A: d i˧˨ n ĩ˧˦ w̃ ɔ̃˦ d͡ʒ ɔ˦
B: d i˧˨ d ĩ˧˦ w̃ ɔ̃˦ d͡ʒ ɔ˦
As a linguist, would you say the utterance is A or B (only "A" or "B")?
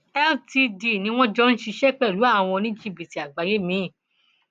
A